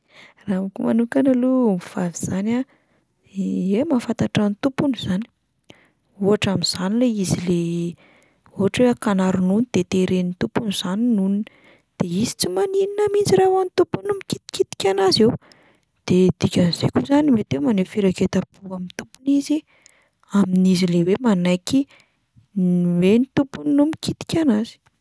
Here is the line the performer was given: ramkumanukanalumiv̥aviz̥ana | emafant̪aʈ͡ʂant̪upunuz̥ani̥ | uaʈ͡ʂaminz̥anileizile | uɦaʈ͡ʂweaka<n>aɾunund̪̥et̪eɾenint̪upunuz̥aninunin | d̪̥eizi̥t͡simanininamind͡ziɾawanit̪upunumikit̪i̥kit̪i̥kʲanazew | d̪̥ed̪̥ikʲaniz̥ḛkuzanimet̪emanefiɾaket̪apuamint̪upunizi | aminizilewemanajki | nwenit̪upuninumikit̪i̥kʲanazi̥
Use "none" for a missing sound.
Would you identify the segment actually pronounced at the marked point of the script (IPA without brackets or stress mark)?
n